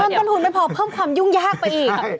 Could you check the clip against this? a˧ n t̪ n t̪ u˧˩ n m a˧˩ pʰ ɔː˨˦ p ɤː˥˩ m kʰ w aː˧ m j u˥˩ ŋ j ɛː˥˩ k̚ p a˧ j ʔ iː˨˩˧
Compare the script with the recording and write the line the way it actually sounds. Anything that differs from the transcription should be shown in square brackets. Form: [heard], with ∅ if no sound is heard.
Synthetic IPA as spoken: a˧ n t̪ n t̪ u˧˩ n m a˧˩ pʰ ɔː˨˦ [pʰ] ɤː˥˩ m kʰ w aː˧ m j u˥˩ ŋ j [aː˥˩] k̚ p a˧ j ʔ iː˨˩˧